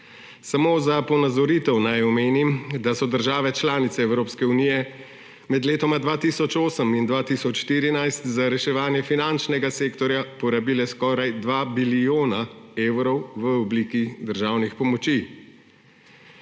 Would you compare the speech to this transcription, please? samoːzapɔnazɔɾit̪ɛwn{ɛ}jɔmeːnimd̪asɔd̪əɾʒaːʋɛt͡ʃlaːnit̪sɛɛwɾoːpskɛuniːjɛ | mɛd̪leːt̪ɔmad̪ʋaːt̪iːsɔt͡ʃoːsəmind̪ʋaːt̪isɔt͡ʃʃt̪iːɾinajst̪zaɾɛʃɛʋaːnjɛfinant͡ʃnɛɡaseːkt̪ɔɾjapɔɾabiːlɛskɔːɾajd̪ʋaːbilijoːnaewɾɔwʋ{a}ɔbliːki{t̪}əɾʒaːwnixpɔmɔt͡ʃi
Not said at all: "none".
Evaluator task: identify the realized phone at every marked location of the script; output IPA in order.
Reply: a, ə, d̪

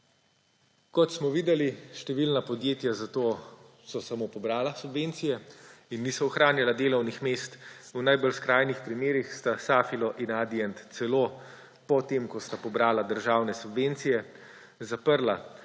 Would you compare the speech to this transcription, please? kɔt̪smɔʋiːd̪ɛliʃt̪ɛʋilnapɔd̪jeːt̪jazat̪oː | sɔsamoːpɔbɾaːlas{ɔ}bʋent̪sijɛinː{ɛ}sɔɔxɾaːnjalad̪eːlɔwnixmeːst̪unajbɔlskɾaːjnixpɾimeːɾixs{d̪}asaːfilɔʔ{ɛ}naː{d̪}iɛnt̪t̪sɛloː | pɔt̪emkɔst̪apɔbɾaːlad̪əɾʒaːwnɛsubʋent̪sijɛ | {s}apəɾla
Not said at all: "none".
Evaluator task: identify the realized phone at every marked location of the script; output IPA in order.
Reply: u, i, t̪, i, d̪, z

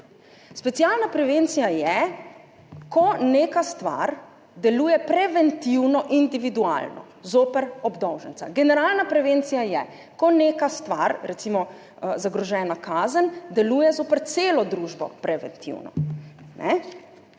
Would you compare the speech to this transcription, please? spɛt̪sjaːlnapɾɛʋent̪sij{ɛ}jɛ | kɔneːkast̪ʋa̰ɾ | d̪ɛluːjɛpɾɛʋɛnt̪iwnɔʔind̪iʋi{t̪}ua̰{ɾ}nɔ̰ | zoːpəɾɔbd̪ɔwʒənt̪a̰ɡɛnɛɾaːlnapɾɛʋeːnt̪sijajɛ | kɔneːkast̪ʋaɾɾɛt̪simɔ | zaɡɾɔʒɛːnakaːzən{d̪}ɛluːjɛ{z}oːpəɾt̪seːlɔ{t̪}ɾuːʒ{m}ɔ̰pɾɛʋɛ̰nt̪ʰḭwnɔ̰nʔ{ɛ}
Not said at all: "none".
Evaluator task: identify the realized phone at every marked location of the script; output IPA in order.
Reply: a, d̪, l, d̪, z, d̪, b, ɛ

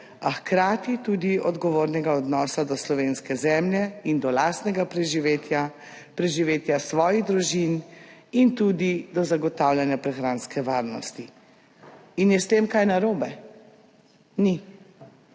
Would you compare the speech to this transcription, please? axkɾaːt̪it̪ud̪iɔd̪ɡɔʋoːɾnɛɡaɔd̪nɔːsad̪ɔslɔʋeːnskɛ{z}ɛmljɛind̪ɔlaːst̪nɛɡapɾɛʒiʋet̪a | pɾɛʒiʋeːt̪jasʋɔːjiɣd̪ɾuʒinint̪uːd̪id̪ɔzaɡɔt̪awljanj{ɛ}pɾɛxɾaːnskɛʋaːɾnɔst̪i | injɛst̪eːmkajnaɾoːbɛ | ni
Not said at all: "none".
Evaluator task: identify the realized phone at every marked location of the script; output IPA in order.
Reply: z, a

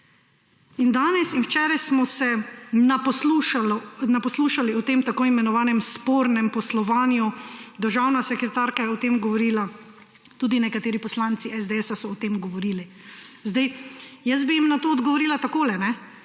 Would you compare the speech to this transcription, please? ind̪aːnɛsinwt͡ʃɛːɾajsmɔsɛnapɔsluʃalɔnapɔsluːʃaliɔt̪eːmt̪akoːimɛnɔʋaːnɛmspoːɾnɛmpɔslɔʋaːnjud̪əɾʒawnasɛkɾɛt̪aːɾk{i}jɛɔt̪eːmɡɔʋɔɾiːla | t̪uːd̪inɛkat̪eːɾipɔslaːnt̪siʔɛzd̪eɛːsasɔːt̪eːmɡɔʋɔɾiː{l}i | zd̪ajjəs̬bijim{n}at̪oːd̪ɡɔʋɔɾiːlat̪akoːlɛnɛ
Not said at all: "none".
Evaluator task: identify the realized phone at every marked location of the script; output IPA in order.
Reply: a, l, n

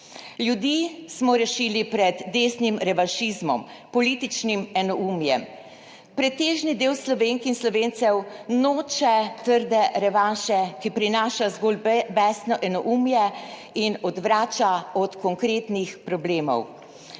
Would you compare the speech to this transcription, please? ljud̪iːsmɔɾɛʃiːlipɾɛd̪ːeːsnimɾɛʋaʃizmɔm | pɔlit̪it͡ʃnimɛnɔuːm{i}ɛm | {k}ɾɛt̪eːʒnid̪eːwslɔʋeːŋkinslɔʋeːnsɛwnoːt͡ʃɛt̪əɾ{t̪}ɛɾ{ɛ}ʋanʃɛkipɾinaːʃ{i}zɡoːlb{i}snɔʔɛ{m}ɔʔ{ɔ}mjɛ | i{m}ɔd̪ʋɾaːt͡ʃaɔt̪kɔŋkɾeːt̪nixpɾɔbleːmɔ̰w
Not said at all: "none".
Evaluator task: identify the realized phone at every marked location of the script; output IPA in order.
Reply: j, p, d̪, ɛ, a, ɛ, n, u, n

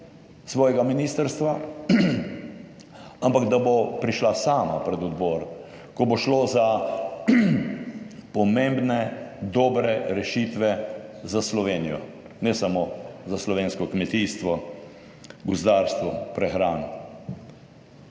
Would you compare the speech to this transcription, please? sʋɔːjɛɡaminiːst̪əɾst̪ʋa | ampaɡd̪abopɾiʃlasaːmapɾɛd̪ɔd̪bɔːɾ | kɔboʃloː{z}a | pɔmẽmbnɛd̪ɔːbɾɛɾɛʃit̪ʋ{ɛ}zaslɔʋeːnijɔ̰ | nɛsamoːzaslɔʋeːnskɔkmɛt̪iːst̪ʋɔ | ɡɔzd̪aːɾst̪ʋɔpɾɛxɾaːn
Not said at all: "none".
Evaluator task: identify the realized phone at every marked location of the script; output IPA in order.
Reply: z, ɛ

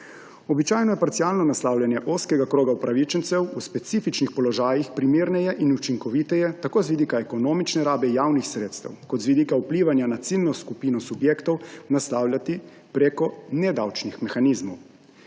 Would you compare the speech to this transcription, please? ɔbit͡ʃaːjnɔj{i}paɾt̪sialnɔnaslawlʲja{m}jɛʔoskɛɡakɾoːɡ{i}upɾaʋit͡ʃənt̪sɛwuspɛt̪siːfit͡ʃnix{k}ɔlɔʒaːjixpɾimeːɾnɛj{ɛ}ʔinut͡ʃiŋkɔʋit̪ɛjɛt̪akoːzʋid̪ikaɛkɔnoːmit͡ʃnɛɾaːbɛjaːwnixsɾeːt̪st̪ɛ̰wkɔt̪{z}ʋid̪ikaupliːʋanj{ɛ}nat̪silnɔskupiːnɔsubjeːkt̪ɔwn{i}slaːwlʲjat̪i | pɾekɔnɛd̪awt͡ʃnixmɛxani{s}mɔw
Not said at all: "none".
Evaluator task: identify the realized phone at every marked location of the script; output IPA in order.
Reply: ɛ, n, a, p, ɛ, z, a, a, z

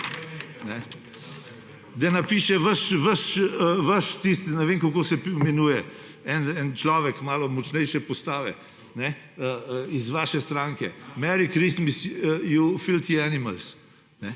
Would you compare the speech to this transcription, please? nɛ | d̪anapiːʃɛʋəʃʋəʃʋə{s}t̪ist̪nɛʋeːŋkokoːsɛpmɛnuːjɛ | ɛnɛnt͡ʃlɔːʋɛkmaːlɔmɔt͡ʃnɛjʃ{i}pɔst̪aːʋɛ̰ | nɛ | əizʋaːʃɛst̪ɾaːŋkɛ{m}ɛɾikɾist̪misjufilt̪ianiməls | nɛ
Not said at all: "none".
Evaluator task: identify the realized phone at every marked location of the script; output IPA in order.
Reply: ʃ, ɛ, m

